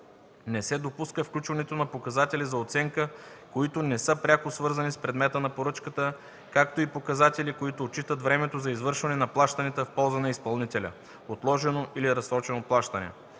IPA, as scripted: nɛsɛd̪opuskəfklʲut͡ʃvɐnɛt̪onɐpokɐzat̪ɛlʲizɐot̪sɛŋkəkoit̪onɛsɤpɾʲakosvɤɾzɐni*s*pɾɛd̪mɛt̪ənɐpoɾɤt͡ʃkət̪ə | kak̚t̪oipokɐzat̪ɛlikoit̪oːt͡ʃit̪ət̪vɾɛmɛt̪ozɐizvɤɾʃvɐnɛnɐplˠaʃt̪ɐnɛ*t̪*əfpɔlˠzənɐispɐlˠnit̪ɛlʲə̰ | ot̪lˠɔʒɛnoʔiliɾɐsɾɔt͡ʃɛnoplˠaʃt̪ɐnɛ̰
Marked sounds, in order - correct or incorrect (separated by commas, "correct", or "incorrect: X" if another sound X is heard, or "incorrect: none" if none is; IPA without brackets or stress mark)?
correct, correct